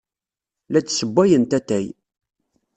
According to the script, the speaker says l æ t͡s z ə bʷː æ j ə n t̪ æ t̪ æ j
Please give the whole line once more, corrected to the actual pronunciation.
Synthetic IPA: l æ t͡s s ə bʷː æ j ə n t̪ æ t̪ æ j